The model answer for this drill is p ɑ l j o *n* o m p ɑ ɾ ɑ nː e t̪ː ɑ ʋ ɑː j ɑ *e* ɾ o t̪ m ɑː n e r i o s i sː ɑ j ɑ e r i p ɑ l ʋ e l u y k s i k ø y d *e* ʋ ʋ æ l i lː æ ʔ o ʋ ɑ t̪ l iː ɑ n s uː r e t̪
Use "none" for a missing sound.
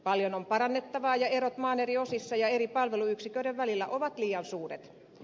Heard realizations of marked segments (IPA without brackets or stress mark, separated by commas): n, e, e